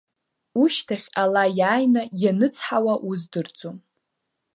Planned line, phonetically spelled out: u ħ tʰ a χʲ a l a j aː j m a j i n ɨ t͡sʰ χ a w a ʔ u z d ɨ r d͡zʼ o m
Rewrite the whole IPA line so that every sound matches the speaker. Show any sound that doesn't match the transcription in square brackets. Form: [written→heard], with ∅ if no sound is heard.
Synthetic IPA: u [ħ→ʃ] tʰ a χʲ a l a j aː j [m→n] a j [i→a] n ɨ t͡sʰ [χ→ħ] a w a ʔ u z d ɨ r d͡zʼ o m